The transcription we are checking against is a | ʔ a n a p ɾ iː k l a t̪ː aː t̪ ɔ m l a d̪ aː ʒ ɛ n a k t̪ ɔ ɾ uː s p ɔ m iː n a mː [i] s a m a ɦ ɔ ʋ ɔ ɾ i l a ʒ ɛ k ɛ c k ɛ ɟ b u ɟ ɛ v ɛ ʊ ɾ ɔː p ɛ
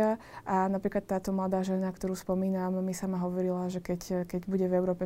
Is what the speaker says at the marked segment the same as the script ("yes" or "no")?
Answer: yes